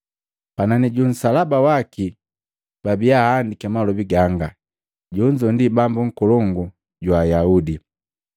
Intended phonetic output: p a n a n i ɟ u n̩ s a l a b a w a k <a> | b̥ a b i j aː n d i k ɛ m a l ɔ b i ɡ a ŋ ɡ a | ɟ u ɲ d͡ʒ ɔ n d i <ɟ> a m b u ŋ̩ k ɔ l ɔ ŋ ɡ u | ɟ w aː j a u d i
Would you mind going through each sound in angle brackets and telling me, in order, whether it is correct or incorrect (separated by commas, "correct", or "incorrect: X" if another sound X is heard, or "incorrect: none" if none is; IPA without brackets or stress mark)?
incorrect: i, incorrect: b